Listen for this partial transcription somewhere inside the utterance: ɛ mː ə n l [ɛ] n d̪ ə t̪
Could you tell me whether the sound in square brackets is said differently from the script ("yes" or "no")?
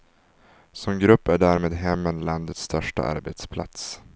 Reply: yes